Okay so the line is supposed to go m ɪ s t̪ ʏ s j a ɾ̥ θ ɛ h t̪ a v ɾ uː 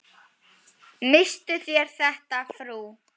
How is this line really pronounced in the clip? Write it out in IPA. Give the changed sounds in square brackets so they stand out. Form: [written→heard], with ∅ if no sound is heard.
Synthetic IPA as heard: m ɪ s t̪ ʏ [s→θ] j [a→ɛ] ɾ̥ θ ɛ h t̪ a [v→f] ɾ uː